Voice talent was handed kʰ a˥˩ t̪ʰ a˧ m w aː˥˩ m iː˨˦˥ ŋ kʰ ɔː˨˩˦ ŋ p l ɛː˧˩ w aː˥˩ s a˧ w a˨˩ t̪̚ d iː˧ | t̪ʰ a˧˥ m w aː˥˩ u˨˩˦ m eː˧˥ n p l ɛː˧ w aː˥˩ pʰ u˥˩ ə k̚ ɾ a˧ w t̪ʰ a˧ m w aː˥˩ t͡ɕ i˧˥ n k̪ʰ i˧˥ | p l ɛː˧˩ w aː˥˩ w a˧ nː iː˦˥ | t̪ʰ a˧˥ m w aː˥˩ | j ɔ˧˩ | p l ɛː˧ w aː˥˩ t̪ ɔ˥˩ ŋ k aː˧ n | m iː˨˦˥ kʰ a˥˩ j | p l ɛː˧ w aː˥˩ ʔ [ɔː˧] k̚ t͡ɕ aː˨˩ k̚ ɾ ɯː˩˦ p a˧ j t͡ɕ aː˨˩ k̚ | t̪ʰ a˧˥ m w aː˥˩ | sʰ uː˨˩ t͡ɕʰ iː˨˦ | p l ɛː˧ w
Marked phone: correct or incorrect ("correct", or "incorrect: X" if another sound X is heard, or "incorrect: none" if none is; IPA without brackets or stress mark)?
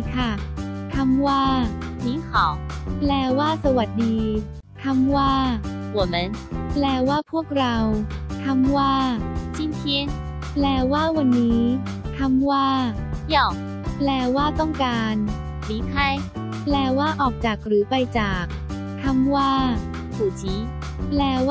incorrect: ɔː˨˩